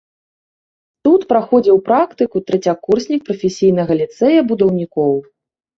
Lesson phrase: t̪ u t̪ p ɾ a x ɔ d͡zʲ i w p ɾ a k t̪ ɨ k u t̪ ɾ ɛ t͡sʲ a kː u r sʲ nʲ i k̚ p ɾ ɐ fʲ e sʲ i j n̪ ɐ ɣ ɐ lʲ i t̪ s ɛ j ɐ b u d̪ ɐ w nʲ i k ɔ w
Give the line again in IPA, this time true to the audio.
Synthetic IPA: t̪ u t̪ p ɾ a x ɔ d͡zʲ i w p ɾ a k t̪ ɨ k u t̪ ɾ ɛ t͡sʲ a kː u r sʲ nʲ i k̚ p ɾ ɐ fʲ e sʲ i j n̪ ɐ ɣ ɐ lʲ i t̪ s ɛ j ɐ b u d̪ ɐ w nʲ i k ɔ w